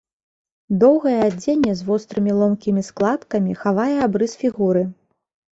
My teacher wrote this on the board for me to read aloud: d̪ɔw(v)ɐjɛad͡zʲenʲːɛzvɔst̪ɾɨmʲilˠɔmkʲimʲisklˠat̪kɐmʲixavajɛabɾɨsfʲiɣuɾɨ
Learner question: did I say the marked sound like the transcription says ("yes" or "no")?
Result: no